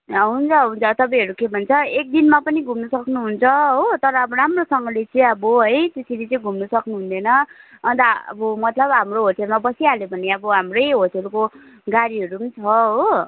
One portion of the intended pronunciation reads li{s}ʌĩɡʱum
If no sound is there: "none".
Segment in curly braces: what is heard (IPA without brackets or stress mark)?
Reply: t͡s